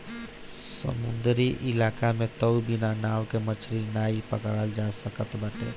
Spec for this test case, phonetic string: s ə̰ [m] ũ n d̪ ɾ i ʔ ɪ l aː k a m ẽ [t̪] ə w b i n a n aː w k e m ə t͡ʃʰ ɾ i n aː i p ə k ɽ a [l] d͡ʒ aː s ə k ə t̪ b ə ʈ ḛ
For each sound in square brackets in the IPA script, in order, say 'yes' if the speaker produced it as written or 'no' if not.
yes, yes, yes

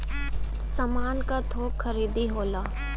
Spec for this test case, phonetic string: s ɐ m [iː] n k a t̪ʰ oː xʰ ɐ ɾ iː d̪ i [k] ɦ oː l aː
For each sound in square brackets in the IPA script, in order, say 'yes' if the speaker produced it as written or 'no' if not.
no, no

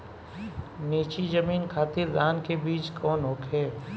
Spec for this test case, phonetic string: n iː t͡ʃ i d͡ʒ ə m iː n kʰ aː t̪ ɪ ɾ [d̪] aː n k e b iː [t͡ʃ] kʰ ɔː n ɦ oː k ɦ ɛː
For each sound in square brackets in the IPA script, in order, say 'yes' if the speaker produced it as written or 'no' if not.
yes, yes

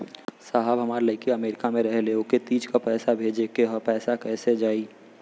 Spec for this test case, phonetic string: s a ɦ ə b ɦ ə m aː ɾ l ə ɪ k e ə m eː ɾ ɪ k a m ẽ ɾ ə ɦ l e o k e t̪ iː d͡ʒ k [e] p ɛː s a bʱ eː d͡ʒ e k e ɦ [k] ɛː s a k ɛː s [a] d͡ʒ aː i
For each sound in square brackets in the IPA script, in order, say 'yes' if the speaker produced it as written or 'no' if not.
no, no, no

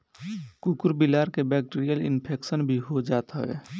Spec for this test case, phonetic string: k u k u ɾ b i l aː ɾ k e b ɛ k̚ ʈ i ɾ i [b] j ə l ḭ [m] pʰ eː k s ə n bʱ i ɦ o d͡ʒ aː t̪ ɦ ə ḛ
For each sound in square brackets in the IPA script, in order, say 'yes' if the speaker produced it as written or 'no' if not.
no, no

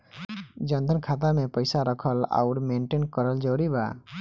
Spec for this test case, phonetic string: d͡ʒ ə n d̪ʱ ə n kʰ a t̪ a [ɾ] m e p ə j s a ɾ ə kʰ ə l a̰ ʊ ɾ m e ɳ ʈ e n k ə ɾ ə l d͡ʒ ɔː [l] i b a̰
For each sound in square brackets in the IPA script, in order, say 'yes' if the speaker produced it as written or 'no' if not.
no, no

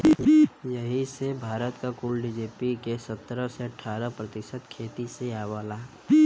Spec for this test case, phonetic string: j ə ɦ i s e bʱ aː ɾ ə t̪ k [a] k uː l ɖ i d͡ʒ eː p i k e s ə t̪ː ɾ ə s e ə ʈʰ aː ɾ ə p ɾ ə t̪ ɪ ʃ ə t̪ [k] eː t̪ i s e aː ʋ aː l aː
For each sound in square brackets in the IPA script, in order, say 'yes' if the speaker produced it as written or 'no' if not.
yes, no

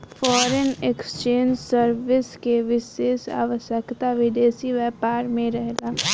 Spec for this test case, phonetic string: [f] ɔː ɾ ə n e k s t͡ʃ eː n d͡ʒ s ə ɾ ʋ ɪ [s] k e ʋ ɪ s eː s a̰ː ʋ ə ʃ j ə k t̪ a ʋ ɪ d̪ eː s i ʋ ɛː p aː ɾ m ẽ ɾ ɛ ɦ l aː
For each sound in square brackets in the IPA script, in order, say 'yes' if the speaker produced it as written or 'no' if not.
yes, yes

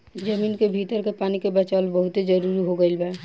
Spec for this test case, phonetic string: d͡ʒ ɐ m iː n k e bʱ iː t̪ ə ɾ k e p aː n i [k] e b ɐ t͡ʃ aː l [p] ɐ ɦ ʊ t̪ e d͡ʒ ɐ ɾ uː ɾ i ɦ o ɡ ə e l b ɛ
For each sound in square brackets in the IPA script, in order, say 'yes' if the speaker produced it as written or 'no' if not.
yes, no

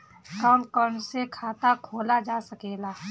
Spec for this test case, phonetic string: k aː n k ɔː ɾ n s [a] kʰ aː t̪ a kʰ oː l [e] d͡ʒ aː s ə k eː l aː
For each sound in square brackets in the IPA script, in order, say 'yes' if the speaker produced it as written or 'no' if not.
no, no

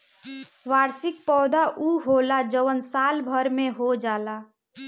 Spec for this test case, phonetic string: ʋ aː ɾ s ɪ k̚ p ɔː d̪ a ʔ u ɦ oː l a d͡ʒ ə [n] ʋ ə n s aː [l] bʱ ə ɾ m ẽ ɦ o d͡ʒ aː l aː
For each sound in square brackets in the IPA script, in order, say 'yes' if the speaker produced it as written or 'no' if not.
no, yes

